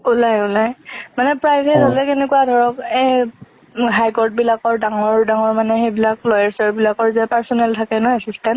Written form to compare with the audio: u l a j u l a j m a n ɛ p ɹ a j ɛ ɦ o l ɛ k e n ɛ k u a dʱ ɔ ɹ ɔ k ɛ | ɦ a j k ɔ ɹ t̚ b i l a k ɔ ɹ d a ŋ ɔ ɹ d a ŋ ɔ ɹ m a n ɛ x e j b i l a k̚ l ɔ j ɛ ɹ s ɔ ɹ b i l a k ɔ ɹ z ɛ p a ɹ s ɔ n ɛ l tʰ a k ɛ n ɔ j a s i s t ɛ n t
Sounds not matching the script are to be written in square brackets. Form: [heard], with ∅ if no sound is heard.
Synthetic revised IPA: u l a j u l a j m a n ɛ p ɹ a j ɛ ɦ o l ɛ k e n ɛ k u a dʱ ɔ ɹ ɔ k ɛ | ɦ a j k ɔ ɹ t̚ b i l a k ɔ ɹ d a ŋ ɔ ɹ d a ŋ ɔ ɹ m a n ɛ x e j b i l a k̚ l ɔ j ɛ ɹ s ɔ ɹ b i l a k ɔ ɹ z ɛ p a ɹ s ɔ n ɛ l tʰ a k ɛ n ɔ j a s i s t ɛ n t